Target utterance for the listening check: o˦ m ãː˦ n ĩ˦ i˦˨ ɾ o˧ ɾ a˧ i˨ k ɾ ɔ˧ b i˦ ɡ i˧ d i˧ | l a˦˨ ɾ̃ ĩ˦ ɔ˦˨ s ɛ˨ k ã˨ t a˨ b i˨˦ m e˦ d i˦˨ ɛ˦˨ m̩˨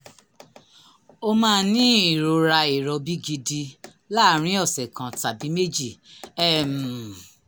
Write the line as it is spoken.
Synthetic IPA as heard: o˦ m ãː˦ n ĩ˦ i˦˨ ɾ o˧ ɾ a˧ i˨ ɾ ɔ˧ b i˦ ɡ i˧ d i˧ | l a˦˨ ɾ̃ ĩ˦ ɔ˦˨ s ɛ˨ k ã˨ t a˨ b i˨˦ m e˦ d͡ʒ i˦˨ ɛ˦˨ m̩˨